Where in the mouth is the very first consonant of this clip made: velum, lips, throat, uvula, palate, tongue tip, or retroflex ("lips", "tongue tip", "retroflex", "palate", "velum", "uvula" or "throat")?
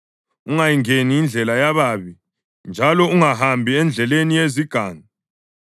velum